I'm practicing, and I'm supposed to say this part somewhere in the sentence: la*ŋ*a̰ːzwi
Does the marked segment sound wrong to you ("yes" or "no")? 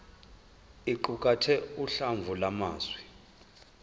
yes